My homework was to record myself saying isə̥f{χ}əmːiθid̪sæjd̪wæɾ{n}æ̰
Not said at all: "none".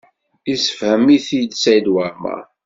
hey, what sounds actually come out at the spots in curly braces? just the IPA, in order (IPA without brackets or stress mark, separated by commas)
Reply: h, m